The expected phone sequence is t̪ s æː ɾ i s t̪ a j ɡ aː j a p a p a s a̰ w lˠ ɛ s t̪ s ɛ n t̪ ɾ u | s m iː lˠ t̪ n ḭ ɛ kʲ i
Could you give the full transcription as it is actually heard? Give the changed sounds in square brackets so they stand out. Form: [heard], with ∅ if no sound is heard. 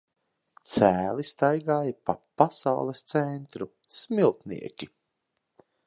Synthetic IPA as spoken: t̪ s æː [l] i s t̪ a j ɡ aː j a p a p a s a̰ w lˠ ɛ s t̪ s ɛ n t̪ ɾ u | s m [i] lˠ t̪ n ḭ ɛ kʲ i